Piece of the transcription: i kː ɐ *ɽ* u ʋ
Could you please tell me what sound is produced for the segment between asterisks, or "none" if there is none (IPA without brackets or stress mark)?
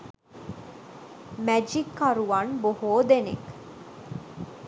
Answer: ɾ